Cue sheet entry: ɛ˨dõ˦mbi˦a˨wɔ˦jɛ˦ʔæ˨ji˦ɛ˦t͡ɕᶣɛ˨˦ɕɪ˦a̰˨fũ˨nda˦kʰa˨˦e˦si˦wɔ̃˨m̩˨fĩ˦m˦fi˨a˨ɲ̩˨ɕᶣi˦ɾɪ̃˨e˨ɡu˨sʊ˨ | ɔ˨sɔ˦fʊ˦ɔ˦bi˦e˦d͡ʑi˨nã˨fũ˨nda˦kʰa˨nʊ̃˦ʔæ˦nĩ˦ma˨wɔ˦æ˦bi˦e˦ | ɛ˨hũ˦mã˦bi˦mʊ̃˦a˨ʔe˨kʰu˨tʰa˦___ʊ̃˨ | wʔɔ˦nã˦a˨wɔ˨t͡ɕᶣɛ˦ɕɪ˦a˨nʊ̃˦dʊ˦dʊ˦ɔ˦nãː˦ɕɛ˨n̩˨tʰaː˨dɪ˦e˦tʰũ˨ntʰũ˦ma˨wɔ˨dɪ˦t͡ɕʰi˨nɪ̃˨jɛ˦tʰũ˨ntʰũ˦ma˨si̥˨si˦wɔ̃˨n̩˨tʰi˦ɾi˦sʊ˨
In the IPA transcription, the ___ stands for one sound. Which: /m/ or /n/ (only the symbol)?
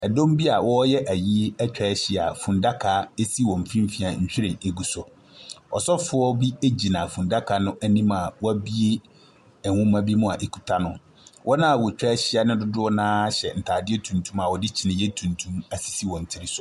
n